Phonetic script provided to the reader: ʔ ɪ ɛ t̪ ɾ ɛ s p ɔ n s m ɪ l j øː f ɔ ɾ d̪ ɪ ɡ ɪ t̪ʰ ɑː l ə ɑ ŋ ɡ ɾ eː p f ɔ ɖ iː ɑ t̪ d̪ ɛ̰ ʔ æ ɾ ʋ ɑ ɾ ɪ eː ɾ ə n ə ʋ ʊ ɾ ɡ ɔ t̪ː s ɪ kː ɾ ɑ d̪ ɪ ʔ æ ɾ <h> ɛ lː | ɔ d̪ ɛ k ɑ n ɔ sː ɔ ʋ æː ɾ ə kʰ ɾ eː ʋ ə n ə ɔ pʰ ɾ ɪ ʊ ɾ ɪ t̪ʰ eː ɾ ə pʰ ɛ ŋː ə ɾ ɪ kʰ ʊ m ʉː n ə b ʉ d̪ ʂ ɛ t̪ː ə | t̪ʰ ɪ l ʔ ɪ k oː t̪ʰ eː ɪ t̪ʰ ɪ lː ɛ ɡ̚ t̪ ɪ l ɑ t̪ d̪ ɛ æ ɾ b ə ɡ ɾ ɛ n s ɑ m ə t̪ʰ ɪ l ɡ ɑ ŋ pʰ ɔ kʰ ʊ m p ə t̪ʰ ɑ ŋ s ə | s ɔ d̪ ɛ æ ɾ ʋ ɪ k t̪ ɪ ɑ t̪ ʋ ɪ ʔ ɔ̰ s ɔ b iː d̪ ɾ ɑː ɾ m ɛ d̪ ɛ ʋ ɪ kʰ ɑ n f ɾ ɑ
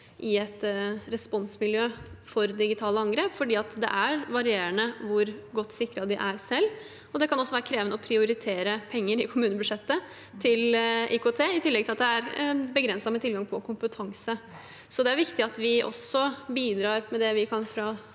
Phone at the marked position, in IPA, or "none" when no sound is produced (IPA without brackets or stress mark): s